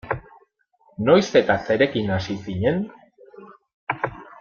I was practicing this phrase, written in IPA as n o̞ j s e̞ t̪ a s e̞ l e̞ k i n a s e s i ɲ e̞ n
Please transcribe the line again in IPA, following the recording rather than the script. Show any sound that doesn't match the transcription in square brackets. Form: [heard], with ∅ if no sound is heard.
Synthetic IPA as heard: n o̞ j s e̞ t̪ a s e̞ [ɾ] e̞ k i n a s [i] s i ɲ e̞ n